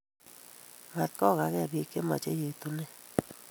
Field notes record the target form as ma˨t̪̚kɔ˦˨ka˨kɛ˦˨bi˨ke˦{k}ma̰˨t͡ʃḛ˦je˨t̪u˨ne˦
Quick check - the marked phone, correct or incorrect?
incorrect